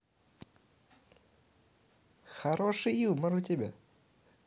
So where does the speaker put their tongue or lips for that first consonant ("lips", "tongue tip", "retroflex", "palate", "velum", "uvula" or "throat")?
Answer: velum